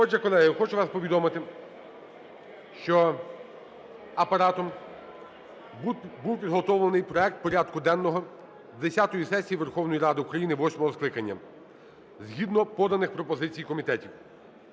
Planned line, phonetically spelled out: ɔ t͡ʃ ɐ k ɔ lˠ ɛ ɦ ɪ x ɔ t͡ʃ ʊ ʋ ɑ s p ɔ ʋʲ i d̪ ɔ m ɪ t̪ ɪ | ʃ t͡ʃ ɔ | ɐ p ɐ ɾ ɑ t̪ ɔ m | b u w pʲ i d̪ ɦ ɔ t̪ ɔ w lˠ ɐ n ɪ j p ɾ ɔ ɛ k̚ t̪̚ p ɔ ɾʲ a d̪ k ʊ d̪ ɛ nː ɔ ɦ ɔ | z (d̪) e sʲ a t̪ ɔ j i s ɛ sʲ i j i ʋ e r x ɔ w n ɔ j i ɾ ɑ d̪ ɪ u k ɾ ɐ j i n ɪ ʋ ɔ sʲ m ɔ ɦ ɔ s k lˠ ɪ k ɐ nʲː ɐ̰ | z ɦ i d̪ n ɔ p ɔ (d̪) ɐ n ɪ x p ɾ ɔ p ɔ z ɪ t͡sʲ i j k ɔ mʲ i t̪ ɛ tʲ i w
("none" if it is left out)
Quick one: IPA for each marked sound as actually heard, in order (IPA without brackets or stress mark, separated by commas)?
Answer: d̪, d̪